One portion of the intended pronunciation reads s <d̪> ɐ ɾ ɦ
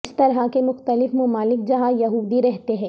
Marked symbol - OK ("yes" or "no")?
no